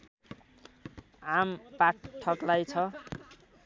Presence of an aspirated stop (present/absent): present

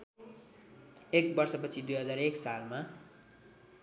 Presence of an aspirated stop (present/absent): present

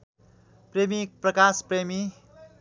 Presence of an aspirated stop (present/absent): absent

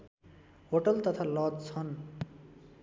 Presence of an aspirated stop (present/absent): present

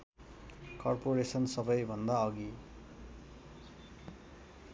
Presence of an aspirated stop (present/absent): absent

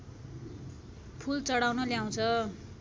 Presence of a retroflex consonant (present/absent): present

